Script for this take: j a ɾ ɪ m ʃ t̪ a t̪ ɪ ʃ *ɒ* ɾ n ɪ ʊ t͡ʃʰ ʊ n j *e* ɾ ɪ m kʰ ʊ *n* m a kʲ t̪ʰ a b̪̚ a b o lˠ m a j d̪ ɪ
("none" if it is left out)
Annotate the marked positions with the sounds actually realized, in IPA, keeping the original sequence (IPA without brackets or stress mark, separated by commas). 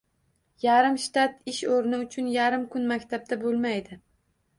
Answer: o, a, n